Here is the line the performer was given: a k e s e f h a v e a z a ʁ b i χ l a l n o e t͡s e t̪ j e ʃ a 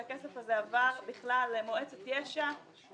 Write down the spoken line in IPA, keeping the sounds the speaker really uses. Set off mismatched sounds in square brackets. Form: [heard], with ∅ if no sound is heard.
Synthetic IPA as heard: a k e s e f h a [z] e a [v] a ʁ b i χ l a l [m] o e t͡s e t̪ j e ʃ a